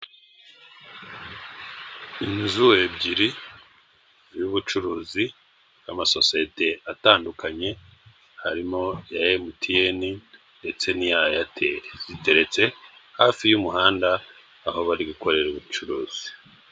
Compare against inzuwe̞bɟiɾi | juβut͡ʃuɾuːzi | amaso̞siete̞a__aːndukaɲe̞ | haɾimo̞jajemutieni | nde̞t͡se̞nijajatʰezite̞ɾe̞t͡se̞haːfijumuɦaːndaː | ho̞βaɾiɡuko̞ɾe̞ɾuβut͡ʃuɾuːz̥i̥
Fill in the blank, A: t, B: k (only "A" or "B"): A